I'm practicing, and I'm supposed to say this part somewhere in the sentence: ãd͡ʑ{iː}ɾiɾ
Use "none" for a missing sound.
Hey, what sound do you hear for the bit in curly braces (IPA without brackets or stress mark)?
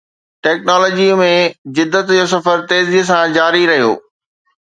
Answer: aː